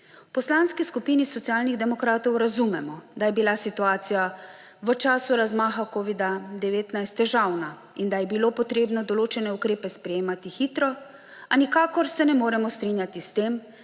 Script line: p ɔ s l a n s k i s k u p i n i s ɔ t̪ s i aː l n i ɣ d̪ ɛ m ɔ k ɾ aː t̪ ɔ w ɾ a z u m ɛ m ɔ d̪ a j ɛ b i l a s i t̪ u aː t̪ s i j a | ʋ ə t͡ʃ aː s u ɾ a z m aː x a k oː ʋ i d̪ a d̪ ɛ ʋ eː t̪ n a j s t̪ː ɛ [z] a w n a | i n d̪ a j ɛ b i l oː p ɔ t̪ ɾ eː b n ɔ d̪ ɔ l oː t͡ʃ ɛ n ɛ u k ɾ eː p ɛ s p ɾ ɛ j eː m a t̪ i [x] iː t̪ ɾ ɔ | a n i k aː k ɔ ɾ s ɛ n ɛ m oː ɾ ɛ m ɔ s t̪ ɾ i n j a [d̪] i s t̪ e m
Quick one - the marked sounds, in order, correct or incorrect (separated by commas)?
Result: incorrect, correct, incorrect